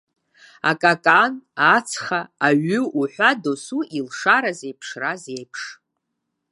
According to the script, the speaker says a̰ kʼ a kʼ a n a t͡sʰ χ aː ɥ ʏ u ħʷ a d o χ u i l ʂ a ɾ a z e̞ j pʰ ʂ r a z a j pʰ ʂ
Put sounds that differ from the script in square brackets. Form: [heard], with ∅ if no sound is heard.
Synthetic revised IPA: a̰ kʼ a kʼ a n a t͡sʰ χ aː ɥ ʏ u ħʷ a d o [s] u i l ʂ a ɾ a z e̞ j pʰ ʂ r a z [e] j pʰ ʂ